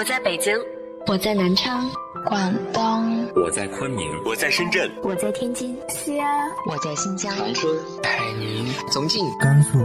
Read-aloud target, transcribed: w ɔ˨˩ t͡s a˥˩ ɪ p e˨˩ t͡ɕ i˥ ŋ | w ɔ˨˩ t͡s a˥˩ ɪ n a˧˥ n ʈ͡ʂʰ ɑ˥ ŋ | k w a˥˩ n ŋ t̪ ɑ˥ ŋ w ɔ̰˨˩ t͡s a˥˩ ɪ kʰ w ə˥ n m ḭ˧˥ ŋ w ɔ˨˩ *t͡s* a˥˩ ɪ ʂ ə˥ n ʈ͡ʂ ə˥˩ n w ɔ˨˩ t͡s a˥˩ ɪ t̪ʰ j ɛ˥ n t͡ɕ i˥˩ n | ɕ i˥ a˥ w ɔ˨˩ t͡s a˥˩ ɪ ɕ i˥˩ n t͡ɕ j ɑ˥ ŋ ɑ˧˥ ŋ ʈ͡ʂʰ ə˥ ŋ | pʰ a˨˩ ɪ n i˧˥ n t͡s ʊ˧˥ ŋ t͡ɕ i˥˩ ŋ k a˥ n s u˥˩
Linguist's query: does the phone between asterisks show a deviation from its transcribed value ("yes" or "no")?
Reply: no